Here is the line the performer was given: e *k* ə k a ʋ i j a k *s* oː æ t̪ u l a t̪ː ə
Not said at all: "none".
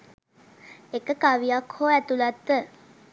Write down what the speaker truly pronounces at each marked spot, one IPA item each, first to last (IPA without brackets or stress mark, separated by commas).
k, h